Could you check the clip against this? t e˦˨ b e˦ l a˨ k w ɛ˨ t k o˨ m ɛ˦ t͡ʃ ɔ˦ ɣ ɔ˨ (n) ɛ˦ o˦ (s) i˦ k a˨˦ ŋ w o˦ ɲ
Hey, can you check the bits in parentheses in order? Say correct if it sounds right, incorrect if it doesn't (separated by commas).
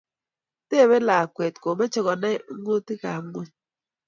correct, incorrect